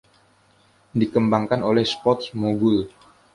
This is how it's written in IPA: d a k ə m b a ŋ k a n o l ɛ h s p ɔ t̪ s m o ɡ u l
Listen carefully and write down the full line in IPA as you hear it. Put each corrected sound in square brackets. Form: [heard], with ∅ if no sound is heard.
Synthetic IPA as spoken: d [i] k ə m b a ŋ k a n o l ɛ h s p ɔ t̪ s m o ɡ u l